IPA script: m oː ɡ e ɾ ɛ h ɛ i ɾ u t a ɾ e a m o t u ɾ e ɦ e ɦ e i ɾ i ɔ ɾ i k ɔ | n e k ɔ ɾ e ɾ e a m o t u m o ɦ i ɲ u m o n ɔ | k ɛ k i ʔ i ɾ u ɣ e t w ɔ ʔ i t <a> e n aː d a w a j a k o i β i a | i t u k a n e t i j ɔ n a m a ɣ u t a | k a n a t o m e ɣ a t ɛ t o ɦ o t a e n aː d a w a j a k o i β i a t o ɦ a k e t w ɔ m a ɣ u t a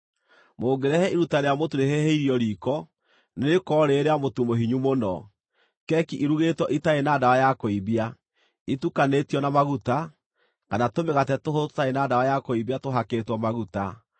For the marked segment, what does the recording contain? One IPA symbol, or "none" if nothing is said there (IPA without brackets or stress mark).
a